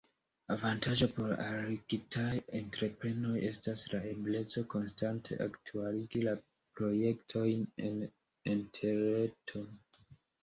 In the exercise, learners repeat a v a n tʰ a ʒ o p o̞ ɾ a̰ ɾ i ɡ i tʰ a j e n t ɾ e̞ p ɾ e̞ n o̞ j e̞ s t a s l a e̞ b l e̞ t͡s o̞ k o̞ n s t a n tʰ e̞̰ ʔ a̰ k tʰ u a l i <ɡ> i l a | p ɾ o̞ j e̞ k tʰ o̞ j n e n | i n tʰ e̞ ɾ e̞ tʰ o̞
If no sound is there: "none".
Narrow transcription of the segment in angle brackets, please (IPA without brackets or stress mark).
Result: ɡ